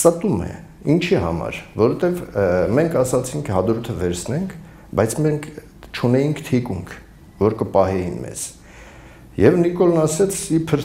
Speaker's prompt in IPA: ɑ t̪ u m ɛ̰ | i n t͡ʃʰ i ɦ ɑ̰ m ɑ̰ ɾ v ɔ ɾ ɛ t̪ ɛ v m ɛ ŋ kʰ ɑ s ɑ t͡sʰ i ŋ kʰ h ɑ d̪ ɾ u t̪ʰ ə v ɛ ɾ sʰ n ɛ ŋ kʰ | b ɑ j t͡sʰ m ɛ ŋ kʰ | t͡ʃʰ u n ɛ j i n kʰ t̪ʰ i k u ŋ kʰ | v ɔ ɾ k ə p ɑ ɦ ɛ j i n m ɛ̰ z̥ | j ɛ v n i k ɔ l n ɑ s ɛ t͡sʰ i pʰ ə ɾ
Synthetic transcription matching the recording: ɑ t̪ u m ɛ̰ | i n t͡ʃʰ i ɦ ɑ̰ m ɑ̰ ɾ v ɔ ɾ ɛ t̪ ɛ v m ɛ ŋ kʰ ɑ s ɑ t͡sʰ i ŋ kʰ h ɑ d̪ ɾ u t̪ʰ ə v ɛ ɾ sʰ n ɛ ŋ kʰ | b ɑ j t͡sʰ m ɛ ŋ kʰ | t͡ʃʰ u n ɛ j i ŋ kʰ t̪ʰ i k u ŋ kʰ | v ɔ ɾ k ə p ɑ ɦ ɛ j i n m ɛ̰ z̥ | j ɛ v n i k ɔ l n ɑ s ɛ t͡sʰ i pʰ ə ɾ